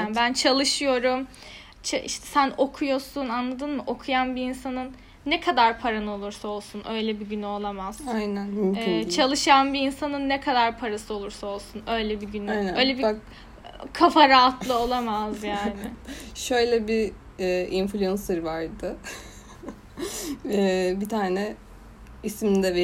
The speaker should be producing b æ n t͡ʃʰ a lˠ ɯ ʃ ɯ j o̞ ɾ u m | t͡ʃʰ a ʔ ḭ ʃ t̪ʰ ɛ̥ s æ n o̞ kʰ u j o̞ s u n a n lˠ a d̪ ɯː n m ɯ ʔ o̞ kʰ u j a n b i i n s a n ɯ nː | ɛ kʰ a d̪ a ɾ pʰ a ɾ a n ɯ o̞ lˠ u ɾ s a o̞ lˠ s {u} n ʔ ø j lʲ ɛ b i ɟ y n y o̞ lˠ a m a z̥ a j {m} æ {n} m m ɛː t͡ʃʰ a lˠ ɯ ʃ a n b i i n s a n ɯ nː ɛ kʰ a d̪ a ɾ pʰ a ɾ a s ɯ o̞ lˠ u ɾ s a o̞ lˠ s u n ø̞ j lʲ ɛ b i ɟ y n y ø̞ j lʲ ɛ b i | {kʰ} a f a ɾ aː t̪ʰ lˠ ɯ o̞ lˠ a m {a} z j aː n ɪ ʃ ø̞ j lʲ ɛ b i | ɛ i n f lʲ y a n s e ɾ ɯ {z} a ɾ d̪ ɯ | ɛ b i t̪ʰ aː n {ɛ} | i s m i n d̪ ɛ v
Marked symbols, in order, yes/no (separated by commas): yes, no, yes, yes, yes, no, yes